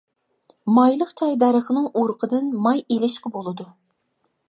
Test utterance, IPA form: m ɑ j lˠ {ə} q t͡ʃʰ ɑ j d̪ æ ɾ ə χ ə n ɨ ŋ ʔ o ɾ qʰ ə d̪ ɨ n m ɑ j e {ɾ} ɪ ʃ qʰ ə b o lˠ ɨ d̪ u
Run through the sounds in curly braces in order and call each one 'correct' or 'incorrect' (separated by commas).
correct, incorrect